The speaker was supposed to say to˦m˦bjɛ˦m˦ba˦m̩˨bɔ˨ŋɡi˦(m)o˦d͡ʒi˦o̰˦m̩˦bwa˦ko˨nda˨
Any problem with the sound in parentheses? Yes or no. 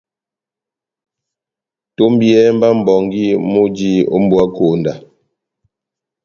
no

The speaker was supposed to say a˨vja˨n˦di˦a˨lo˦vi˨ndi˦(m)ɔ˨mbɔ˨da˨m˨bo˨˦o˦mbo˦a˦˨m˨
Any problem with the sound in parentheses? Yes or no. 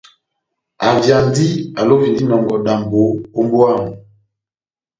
yes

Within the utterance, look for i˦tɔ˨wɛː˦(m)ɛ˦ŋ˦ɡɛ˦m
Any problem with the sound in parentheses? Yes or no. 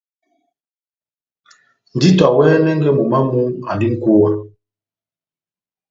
yes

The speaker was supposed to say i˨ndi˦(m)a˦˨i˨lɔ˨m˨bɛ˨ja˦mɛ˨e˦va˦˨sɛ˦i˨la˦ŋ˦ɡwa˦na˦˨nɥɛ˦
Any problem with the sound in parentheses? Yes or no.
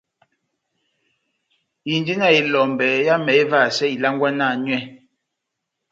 yes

